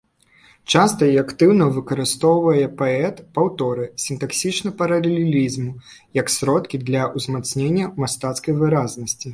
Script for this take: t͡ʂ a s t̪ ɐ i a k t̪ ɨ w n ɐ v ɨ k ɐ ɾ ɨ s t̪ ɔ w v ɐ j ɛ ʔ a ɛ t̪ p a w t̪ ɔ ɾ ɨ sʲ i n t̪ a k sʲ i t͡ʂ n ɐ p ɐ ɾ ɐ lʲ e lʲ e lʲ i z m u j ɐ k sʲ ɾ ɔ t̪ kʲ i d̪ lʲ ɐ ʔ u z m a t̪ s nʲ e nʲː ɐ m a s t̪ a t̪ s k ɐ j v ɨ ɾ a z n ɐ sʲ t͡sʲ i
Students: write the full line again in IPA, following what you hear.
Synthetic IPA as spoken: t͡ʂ a s t̪ ɐ i a k t̪ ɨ w n ɐ v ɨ k ɐ ɾ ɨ s t̪ ɔ w v ɐ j ɛ p a ɛ t̪ p a w t̪ ɔ ɾ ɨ sʲ i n t̪ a k sʲ i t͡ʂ n ɐ p ɐ ɾ ɐ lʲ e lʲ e lʲ i z m u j ɐ k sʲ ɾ ɔ t̪ kʲ i d̪ lʲ ɐ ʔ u z m a t̪ s nʲ e nʲː ɐ m a s t̪ a t̪ s k ɐ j v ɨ ɾ a z n ɐ sʲ t͡sʲ i